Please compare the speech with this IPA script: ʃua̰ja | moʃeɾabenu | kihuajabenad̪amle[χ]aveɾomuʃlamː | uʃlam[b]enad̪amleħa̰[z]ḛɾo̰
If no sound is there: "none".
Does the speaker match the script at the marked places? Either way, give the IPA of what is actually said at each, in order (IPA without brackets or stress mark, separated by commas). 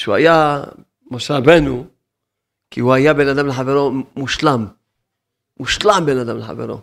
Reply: ħ, b, v